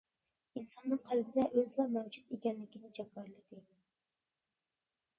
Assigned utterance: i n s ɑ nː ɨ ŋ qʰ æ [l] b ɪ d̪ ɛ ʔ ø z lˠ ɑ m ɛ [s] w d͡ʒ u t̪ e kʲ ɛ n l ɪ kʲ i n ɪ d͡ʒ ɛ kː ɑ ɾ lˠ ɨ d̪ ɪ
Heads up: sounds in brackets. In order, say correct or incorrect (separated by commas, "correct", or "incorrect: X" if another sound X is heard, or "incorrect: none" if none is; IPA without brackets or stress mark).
correct, incorrect: none